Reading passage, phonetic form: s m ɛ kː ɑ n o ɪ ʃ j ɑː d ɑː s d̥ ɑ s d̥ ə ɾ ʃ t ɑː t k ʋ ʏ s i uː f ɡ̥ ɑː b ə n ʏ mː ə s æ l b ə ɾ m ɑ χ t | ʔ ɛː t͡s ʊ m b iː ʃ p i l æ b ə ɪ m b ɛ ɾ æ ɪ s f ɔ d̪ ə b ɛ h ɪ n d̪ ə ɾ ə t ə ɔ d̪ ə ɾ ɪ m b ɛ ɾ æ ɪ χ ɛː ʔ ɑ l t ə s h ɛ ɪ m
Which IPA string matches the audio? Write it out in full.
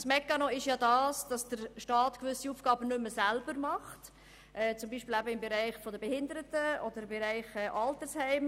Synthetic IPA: s m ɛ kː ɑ n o ɪ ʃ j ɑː d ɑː s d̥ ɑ s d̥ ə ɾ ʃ t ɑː t k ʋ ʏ s i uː f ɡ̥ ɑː b ə n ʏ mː ə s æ l b ə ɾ m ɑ χ t | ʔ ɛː t͡s ʊ m b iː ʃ p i l æ b ə ɪ m b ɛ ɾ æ ɪ χ f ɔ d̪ ə b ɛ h ɪ n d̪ ə ɾ ə t ə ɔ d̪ ə ɾ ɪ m b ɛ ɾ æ ɪ χ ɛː ʔ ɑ l t ə s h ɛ ɪ m